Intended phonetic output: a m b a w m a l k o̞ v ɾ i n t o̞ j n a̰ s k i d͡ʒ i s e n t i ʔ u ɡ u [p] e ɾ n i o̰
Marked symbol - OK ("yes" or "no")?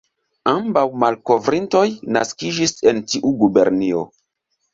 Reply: no